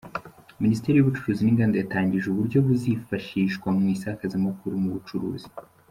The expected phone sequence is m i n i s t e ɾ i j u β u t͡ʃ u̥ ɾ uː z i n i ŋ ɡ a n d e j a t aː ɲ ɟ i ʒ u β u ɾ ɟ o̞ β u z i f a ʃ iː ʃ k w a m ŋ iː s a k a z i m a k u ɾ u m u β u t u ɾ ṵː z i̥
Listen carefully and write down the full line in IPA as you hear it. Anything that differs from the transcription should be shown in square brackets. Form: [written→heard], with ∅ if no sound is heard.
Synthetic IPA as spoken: m i n i s t e ɾ i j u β u t͡ʃ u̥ ɾ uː z i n i ŋ ɡ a n d e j a t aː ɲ ɟ i ʒ u β u ɾ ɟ o̞ β u z i f a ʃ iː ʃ k w a m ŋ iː s a k a z i m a k u ɾ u m u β u [t→t͡ʃ] u ɾ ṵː z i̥